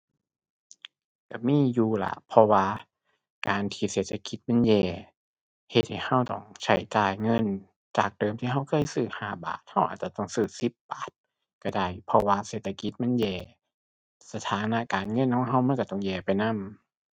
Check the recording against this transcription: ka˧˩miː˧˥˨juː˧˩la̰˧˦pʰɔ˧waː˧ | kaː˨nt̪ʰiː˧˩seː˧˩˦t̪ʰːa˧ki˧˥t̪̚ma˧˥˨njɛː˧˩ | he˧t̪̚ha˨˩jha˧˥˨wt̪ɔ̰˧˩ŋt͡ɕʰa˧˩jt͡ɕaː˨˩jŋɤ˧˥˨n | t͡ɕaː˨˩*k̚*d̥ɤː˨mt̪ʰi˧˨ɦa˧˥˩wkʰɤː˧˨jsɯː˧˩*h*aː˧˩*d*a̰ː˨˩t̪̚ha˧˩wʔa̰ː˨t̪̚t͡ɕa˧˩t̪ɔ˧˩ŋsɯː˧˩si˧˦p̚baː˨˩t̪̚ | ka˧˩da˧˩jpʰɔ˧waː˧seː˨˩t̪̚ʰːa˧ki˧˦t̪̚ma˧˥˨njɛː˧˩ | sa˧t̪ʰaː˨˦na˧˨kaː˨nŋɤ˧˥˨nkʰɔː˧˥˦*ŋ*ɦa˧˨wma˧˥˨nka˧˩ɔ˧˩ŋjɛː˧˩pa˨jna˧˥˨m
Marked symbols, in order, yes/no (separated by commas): yes, yes, no, yes